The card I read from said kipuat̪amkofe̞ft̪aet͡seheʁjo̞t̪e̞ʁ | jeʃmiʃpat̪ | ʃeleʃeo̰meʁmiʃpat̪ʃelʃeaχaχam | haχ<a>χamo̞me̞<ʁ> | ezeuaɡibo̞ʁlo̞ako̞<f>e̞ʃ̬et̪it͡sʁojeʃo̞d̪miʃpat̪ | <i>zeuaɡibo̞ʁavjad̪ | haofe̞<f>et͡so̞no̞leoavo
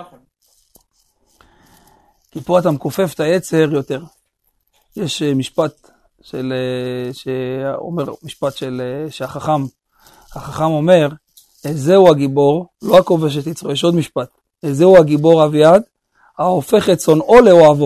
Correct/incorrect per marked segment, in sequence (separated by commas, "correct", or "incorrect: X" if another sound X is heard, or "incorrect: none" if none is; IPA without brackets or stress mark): correct, correct, incorrect: v, incorrect: e, incorrect: χ